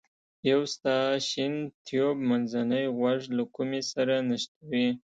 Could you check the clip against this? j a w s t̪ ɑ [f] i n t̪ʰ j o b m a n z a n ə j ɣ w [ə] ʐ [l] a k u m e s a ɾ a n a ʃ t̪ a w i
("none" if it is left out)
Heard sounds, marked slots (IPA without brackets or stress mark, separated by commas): ʃ, a, l